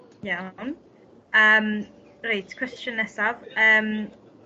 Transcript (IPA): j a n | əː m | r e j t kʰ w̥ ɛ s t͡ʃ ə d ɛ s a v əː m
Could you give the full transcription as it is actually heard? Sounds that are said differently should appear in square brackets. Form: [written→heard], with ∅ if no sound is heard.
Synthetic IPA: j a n | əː m | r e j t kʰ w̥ ɛ s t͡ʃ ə [d→n] ɛ s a v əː m

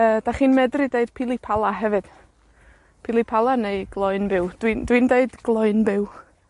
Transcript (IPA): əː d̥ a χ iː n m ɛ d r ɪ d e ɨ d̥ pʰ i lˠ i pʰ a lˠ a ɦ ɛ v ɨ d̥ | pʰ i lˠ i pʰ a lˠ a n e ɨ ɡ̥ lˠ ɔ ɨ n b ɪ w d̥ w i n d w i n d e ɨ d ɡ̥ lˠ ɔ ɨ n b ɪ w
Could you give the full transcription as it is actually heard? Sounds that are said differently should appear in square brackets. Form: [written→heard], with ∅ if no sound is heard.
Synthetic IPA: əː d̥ a χ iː n m ɛ d r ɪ d e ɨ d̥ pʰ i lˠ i pʰ a lˠ a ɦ ɛ v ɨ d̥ | pʰ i lˠ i pʰ a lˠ a n e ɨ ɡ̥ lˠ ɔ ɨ n b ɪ w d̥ w i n d w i n d e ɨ d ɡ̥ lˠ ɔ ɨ n b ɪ w

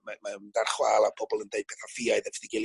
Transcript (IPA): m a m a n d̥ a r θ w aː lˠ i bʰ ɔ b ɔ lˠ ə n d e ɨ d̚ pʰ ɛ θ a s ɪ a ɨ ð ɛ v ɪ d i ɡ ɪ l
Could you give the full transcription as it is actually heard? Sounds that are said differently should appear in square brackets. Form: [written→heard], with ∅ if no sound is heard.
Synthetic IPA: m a m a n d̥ a r [θ→χ] w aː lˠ [i→a] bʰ ɔ b ɔ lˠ ə n d e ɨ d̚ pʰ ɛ θ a [s→f] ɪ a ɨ ð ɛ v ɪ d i ɡ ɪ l

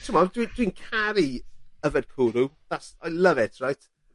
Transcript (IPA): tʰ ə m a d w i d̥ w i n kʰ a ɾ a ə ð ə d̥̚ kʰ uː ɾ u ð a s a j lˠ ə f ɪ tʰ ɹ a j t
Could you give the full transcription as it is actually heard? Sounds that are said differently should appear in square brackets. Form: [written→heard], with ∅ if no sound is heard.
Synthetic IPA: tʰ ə m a d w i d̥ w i n kʰ a ɾ [a→i] ə [ð→v] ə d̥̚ kʰ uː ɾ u ð a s a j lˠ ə [f→v] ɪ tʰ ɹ a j t

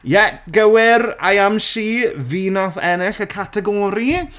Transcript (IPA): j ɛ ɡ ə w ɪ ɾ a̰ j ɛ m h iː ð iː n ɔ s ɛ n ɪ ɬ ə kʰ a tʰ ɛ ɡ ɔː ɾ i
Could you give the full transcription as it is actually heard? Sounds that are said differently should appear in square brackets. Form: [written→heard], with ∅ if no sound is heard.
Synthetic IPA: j ɛ ɡ ə w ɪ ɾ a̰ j [ɛ→a] m [h→ʃ] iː [ð→v] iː n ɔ [s→θ] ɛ n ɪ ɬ ə kʰ a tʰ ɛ ɡ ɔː ɾ i

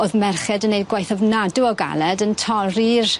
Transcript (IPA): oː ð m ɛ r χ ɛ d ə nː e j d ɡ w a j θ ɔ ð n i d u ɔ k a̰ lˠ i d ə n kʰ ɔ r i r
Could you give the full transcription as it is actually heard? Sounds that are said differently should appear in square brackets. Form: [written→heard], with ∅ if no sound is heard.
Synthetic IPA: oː ð m ɛ r χ ɛ d ə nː e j d ɡ w a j θ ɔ [ð→v] n [i→a] d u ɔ [k→ɡ] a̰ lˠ [i→ɛ] d ə n [kʰ→tʰ] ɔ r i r

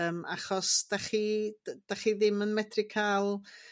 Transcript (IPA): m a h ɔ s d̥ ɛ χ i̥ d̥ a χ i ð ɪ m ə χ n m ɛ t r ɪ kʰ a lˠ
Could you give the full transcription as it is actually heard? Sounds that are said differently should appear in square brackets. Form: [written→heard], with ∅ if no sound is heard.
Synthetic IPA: m a [h→χ] ɔ s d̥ [ɛ→a] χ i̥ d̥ a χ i ð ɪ m ə [χ→∅] n m ɛ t r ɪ kʰ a lˠ

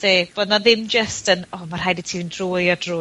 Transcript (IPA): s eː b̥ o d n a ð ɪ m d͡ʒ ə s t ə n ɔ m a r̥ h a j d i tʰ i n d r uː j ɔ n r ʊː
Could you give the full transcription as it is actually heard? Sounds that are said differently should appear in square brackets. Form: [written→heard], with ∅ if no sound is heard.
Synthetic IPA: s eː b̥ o d n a ð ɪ m d͡ʒ ə s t ə n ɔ m a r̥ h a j d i tʰ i n d r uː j ɔ [n→d] r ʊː

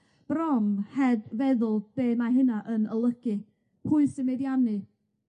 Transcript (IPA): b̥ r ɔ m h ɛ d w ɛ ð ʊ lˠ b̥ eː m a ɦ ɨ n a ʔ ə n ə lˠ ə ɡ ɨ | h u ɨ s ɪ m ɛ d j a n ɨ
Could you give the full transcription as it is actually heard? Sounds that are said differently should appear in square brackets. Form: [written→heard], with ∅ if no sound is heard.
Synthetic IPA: b̥ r ɔ m h ɛ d [w→v] ɛ ð ʊ lˠ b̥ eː m a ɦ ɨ n a ʔ ə n ə lˠ ə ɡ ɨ | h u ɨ s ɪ m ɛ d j a n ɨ

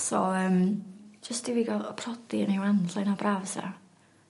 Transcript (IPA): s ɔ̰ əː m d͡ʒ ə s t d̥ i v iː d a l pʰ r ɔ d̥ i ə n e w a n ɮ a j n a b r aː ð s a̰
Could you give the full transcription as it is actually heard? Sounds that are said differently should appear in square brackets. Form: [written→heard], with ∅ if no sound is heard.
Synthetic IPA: s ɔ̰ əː m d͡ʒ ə s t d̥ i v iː [d→ɡ] a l pʰ r ɔ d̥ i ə n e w a n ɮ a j n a b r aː [ð→v] s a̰

